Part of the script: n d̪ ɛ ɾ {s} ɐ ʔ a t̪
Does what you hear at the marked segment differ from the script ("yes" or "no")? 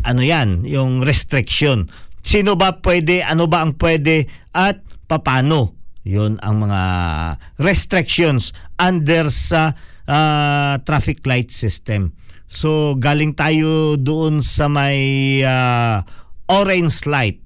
no